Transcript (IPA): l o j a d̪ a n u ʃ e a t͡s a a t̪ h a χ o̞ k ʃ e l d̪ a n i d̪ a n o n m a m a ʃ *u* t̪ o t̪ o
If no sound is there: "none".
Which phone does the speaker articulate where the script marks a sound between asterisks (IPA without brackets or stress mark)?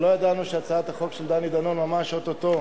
o